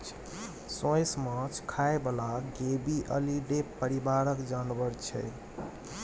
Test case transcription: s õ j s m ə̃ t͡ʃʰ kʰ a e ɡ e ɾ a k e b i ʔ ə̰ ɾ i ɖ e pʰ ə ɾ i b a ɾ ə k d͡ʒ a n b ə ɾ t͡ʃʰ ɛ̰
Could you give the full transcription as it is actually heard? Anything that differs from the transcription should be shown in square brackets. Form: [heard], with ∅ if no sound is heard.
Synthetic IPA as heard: s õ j s m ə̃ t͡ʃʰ kʰ a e [b] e [l] a [ɡ] e b i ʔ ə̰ [l] i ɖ e [p] ə ɾ i b a ɾ ə k d͡ʒ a n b ə ɾ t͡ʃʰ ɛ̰